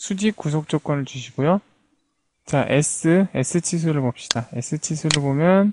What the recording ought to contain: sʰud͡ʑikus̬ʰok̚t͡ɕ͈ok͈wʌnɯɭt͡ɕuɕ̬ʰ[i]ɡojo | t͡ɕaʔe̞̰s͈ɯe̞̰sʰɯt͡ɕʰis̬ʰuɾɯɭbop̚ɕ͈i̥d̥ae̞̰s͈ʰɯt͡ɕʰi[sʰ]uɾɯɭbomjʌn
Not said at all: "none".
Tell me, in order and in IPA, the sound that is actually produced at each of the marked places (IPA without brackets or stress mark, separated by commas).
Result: i, sʰ